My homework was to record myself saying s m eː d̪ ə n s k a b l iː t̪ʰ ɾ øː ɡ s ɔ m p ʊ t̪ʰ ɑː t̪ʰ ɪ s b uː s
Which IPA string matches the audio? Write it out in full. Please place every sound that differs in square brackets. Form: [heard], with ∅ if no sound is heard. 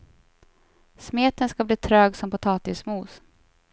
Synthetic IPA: s m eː [t̪] ə n s k a b l iː t̪ʰ ɾ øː ɡ s ɔ m p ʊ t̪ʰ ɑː [t̪] ɪ s [m] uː s